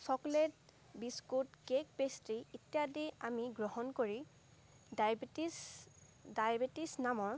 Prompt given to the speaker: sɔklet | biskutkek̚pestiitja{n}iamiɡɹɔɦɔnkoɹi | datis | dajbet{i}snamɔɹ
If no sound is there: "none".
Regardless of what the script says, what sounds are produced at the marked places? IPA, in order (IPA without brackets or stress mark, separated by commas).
d, i